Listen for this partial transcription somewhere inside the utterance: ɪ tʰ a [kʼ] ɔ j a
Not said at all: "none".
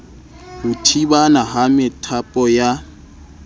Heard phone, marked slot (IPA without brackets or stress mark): pʼ